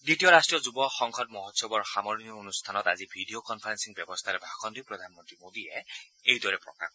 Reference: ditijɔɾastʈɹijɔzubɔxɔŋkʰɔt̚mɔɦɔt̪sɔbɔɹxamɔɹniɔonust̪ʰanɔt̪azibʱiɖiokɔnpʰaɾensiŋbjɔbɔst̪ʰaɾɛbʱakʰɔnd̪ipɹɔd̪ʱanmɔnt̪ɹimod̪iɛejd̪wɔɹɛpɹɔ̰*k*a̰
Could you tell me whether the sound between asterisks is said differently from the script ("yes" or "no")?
no